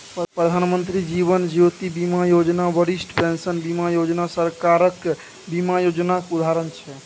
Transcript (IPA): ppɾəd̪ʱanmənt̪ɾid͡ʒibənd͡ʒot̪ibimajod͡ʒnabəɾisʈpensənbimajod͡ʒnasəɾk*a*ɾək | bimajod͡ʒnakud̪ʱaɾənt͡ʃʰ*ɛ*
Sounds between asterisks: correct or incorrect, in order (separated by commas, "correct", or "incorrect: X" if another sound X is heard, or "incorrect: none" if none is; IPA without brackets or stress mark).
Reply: correct, correct